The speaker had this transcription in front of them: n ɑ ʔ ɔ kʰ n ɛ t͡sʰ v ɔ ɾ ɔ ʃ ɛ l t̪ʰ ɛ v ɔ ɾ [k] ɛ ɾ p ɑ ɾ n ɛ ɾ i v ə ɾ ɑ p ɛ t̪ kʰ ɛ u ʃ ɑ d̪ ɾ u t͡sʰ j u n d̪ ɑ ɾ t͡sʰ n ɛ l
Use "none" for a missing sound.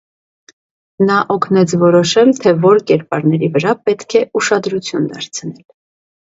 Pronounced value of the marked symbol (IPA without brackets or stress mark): k